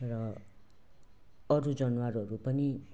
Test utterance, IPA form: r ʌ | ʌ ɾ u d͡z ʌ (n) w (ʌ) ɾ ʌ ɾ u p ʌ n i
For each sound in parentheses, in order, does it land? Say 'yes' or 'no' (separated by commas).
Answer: yes, no